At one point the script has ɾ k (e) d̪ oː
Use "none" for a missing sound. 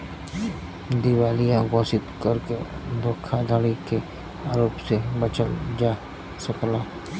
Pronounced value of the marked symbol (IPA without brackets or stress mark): e